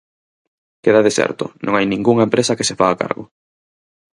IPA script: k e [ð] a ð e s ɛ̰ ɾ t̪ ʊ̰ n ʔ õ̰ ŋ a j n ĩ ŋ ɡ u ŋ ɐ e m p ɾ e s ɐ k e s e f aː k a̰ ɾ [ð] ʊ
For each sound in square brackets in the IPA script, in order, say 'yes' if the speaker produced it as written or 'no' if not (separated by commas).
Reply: yes, no